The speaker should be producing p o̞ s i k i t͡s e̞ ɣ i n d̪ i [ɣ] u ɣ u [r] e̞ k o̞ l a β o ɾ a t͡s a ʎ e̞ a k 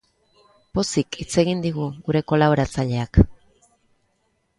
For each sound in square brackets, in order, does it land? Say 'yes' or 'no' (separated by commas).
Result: yes, no